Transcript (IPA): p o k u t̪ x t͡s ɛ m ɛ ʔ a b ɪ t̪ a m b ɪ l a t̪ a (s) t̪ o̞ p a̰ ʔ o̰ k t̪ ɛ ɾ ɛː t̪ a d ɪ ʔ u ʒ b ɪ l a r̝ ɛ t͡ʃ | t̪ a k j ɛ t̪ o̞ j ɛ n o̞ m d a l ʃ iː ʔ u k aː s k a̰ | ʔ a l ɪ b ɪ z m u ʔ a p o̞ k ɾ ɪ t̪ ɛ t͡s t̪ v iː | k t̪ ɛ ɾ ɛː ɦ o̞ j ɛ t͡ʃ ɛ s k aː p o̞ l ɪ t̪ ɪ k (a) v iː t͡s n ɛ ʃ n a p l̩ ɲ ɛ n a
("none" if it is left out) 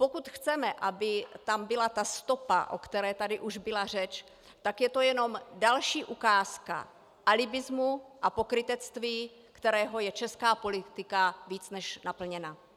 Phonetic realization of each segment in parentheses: s, a

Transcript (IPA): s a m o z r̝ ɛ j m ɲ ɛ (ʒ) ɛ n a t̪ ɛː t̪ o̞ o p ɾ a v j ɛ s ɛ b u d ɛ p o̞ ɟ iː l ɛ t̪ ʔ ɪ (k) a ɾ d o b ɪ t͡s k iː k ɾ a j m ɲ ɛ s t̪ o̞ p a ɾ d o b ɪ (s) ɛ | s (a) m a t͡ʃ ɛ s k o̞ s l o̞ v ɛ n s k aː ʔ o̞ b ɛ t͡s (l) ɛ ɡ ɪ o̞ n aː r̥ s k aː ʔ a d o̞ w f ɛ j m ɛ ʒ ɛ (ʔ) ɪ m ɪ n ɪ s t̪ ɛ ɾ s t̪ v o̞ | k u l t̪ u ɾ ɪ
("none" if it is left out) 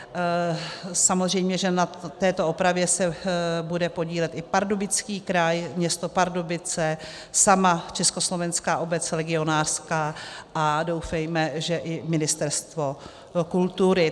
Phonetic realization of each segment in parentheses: ʒ, p, t͡s, a, l, ʔ

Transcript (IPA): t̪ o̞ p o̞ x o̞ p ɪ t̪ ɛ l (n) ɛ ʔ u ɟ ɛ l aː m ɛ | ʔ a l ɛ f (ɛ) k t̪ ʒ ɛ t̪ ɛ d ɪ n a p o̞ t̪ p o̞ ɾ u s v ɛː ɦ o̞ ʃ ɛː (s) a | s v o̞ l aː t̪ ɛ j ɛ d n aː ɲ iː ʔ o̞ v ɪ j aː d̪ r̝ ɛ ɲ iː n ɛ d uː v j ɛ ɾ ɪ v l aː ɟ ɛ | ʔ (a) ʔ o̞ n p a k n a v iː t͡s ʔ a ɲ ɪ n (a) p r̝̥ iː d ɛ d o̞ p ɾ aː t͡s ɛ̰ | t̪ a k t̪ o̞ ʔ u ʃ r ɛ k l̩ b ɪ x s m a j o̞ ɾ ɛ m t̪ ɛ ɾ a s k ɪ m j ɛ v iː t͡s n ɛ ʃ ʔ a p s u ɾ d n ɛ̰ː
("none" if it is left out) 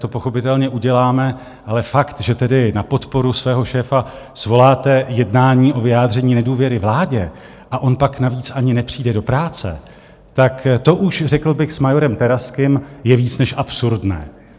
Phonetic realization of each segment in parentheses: ɲ, a, f, a, ɛ

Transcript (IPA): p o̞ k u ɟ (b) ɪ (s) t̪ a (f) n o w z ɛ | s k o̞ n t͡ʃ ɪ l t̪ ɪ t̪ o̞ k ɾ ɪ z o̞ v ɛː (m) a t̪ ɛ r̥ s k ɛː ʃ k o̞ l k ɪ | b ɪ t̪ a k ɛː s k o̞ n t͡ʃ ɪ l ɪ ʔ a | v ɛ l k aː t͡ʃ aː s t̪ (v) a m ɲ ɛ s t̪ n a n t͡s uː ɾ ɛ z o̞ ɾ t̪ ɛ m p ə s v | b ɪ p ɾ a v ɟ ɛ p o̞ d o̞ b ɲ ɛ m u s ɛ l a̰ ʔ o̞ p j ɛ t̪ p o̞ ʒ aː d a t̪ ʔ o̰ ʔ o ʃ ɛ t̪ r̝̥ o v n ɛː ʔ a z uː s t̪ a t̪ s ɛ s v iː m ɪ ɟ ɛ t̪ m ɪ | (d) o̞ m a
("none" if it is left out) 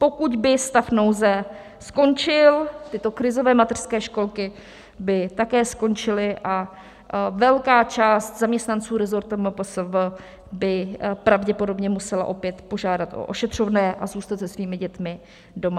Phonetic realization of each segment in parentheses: b, s, f, m, z, d

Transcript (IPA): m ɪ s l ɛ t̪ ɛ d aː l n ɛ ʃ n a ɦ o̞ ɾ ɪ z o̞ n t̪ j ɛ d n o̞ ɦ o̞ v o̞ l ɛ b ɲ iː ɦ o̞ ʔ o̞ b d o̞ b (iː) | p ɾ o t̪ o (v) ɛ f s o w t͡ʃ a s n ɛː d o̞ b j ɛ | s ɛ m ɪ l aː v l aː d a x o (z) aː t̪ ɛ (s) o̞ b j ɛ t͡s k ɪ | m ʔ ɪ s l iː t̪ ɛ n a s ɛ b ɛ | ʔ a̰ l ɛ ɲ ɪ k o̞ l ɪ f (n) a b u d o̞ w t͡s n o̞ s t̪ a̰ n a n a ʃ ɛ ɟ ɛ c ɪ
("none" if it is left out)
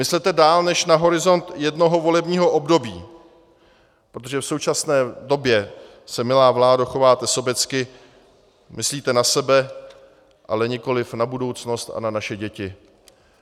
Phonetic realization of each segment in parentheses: iː, ʒ, v, s, n

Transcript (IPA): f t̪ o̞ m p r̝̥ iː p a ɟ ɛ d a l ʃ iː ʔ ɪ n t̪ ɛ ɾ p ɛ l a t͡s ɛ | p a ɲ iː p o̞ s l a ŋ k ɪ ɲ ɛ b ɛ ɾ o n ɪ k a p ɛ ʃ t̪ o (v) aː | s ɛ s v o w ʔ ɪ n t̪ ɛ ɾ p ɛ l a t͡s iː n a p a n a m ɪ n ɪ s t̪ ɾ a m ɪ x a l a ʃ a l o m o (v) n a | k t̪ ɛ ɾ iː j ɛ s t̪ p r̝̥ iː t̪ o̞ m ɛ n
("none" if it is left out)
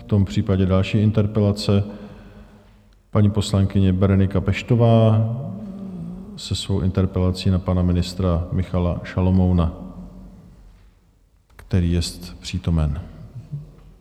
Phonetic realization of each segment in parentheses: v, w

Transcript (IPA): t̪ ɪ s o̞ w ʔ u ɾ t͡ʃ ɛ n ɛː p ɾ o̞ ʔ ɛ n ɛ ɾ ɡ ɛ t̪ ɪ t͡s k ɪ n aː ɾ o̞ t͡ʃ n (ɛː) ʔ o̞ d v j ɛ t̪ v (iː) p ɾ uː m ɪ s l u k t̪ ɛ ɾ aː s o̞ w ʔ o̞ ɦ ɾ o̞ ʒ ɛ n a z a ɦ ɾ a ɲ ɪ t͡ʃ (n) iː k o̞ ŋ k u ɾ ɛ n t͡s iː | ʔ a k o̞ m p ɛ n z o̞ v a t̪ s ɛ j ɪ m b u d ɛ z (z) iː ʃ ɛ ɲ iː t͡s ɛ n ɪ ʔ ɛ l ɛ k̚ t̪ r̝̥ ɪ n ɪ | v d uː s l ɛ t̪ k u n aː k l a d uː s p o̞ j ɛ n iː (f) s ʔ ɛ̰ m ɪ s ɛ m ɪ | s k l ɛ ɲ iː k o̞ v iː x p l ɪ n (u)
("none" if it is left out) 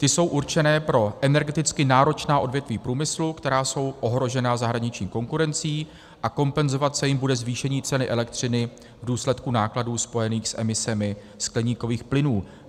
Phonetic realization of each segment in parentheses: aː, iː, ɲ, v, x, uː

